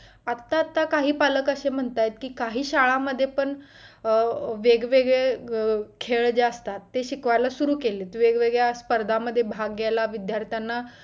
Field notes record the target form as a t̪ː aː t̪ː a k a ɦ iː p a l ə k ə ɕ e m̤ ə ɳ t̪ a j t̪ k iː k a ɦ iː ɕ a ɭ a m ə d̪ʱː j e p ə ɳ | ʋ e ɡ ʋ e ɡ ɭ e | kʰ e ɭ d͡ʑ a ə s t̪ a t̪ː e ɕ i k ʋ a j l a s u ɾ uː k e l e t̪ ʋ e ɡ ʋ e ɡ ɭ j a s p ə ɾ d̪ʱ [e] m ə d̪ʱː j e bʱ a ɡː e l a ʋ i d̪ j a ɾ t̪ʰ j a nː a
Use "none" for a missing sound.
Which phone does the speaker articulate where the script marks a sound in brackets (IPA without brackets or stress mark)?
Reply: a